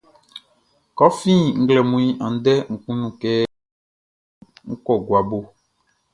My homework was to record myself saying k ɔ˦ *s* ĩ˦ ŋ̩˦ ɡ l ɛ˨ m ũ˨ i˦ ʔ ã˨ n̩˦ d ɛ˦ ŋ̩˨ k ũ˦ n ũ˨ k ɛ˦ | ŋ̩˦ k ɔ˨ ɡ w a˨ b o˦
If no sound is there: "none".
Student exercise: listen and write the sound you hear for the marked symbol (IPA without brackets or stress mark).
f